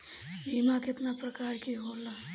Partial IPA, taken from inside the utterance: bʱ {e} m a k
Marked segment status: incorrect: i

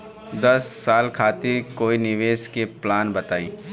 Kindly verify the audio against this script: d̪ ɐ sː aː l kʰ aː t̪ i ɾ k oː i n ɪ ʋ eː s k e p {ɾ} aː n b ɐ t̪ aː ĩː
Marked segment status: incorrect: l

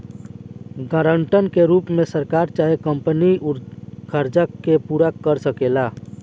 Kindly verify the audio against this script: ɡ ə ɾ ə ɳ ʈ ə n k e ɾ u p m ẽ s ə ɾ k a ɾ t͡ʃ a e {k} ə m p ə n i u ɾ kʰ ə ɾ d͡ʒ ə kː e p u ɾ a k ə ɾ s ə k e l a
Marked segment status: correct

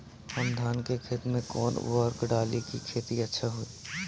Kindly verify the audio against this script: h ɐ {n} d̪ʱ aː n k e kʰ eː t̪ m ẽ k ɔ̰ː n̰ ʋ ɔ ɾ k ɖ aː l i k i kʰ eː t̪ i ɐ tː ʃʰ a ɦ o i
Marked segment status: incorrect: m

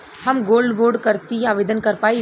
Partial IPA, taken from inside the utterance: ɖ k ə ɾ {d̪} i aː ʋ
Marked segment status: incorrect: t̪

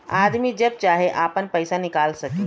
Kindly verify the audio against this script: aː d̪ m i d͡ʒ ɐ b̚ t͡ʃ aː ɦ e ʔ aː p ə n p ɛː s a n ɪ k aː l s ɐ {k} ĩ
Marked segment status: correct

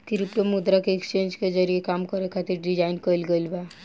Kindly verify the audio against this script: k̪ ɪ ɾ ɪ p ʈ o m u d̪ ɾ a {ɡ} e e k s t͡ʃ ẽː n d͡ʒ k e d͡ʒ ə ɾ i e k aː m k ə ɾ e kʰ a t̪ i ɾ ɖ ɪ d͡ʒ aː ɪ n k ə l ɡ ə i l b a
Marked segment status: incorrect: k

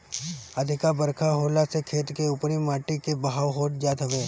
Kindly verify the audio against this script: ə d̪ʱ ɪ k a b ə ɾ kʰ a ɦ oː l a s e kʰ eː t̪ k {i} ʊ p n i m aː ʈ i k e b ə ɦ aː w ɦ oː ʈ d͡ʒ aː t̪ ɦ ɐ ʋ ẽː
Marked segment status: incorrect: e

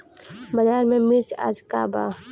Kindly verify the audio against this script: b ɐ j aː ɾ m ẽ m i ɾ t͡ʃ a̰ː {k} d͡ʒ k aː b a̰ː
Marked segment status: incorrect: none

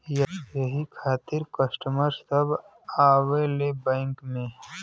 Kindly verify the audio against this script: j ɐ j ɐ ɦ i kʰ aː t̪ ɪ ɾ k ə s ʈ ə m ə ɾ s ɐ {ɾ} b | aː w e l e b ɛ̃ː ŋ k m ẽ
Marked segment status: incorrect: none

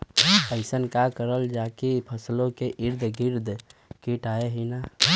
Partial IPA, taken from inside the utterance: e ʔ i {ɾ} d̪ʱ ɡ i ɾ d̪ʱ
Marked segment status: correct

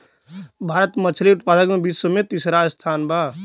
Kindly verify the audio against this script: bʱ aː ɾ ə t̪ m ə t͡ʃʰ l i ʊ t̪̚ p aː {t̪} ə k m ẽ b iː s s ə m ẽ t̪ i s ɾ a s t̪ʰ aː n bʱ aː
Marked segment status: incorrect: d̪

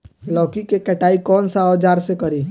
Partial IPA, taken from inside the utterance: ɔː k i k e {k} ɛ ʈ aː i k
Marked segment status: correct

